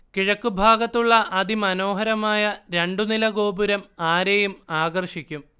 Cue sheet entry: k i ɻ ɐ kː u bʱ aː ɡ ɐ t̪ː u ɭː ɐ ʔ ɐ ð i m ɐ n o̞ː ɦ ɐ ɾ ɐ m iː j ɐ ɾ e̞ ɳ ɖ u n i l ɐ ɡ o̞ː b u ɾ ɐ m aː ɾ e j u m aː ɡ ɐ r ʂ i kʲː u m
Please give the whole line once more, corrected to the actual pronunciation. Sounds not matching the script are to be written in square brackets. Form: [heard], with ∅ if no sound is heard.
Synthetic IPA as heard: k i ɻ ɐ kː u bʱ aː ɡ ɐ t̪ː u ɭː ɐ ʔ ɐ ð i m ɐ n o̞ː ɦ ɐ ɾ ɐ m [aː] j ɐ ɾ e̞ ɳ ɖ u n i l ɐ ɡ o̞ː b u ɾ ɐ m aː ɾ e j u m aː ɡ ɐ r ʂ i kʲː u m